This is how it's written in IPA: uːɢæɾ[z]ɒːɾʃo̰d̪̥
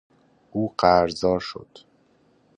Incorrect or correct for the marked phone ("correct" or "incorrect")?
correct